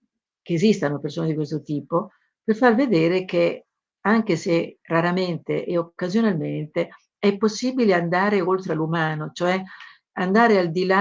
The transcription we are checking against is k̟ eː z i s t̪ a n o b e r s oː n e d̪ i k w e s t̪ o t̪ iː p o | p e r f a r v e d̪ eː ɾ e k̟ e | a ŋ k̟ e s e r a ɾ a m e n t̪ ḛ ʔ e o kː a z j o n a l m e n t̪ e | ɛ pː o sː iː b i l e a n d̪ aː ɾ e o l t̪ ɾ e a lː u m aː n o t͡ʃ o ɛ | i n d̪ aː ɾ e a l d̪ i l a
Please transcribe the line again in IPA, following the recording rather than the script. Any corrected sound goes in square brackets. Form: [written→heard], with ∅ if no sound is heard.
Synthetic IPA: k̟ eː z i s t̪ a n o [b→p] e r s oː n e d̪ i k w e s t̪ o t̪ iː p o | p e r f a r v e d̪ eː ɾ e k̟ e | a ŋ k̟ e s e r a ɾ a m e n t̪ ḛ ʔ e o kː a z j o n a l m e n t̪ e | ɛ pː o sː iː b i l e a n d̪ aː ɾ e o l t̪ ɾ e a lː u m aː n o t͡ʃ o ɛ | [i→a] n d̪ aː ɾ e a l d̪ i l a